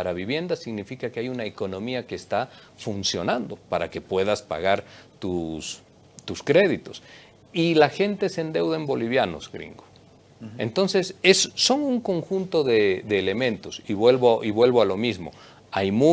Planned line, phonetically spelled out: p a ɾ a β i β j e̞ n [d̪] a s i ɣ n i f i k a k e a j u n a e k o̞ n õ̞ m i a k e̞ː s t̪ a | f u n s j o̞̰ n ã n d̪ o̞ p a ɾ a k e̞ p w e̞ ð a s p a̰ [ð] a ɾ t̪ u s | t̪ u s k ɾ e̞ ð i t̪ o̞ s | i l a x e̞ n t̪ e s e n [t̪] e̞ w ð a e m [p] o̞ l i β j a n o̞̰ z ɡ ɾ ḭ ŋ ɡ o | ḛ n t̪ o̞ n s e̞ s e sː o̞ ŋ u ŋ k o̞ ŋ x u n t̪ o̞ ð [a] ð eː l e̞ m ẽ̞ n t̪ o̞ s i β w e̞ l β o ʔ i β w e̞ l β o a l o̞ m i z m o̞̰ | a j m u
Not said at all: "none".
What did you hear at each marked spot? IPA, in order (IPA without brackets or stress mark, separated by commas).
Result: d̪, ɣ, d̪, b, e